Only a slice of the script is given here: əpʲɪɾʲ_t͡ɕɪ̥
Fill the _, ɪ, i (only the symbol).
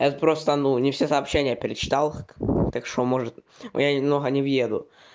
ɪ